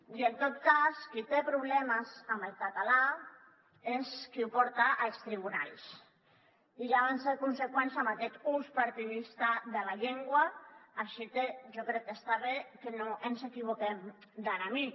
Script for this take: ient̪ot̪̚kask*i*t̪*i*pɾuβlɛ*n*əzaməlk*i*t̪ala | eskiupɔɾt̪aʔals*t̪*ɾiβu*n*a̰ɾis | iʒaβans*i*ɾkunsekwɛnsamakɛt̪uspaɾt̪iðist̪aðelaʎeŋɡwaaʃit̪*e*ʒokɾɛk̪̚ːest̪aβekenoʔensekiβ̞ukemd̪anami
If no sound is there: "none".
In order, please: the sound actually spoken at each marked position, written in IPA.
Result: i, e, m, a, t̪, n, e, e

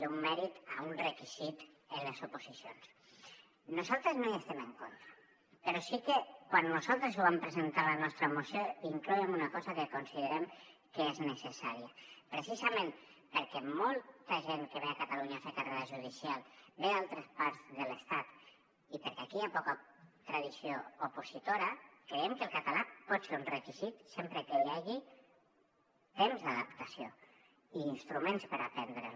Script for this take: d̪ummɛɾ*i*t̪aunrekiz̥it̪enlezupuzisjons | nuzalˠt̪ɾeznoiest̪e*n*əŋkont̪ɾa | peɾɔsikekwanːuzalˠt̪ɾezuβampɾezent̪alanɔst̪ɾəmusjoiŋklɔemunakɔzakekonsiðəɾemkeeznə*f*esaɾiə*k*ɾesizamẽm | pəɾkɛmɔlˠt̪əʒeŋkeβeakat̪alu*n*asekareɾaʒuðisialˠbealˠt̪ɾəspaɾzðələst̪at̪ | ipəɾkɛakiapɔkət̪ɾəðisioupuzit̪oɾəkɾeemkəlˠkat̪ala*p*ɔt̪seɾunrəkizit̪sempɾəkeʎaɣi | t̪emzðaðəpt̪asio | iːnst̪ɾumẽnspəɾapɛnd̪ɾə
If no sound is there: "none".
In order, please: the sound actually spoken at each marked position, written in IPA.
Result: i, m, s, p, ɲ, p

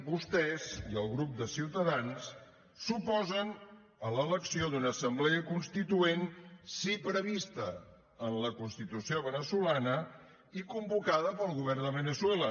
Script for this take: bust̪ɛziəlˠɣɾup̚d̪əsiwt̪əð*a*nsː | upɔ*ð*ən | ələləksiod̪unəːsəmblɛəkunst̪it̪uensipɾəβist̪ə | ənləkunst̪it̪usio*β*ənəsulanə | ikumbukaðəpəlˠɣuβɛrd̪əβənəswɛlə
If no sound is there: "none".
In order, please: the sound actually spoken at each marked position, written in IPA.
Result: a, z, β

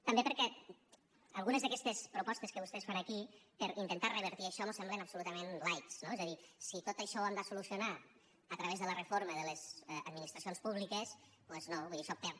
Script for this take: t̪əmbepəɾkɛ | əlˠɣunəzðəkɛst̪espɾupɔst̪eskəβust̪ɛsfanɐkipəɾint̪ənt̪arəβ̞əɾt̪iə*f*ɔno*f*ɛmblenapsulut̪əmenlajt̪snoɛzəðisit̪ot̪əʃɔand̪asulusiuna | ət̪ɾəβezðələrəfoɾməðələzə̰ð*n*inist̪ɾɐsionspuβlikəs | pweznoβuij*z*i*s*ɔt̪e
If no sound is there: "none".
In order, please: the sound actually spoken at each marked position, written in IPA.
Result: ʃ, s, m, ð, s

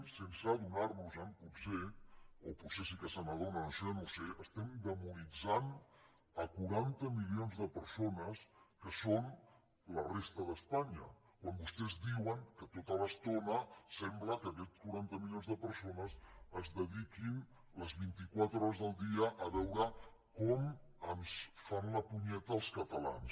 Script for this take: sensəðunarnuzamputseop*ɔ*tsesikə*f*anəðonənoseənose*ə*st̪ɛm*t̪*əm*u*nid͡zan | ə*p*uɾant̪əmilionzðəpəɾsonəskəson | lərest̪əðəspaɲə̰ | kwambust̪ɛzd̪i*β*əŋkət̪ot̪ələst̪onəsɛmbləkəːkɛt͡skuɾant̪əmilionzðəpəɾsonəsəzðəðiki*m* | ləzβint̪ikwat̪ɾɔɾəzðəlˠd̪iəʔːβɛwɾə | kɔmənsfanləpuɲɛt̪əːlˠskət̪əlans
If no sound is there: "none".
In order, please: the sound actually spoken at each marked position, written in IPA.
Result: u, s, ə, d̪, u, k, w, n

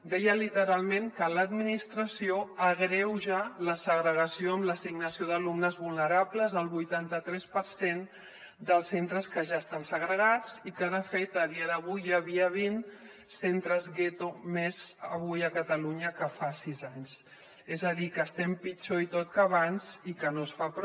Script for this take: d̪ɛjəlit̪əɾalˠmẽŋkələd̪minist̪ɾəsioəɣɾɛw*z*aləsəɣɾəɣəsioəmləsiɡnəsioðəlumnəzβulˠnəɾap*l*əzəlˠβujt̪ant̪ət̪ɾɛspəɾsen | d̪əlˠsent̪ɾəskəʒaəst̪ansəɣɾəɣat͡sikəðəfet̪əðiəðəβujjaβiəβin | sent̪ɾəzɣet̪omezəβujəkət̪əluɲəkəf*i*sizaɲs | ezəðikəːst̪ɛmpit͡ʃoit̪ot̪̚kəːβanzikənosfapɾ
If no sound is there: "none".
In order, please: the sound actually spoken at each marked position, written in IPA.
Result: ʒ, l, a

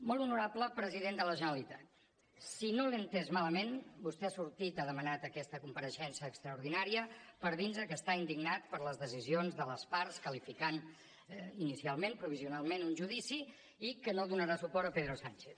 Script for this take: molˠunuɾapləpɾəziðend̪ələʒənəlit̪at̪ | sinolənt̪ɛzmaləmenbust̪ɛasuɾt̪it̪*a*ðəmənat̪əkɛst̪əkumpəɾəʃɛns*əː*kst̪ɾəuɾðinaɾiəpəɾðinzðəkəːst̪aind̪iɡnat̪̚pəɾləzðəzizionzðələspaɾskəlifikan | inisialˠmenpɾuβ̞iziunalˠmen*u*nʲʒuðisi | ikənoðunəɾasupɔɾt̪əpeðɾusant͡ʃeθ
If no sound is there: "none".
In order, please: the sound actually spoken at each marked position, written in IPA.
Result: a, əː, u

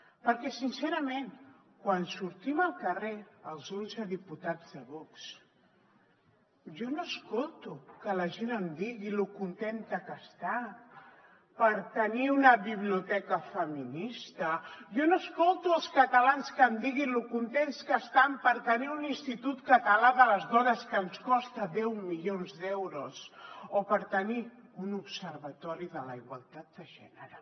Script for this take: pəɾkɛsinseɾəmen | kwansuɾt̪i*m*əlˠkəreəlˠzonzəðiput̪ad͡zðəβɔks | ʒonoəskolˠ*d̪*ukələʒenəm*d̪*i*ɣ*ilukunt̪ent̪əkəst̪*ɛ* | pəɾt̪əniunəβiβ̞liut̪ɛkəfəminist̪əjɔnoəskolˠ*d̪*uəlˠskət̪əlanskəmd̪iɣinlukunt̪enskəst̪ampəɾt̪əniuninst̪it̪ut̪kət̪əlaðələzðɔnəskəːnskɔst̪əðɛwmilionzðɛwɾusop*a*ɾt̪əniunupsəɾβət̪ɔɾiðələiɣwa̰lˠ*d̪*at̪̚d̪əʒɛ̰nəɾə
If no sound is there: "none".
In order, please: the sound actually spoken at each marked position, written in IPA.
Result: m, t̪, d̪, ɣ, a, t̪, ə, t̪

